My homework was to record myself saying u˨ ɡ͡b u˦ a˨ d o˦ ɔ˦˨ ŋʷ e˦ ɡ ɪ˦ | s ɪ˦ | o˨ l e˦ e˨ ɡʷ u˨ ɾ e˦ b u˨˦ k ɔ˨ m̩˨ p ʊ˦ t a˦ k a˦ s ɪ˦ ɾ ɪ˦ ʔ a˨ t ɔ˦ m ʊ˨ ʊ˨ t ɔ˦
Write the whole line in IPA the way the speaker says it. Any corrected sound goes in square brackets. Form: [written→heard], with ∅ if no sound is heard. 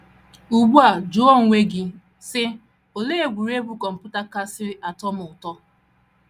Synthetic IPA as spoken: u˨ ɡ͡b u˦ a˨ [d→d͡ʒ] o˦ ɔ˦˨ ŋʷ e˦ ɡ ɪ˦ | s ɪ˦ | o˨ l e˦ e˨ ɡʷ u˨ ɾ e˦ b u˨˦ k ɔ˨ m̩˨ p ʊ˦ t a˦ k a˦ s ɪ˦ ɾ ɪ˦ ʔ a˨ t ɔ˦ m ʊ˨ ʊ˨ t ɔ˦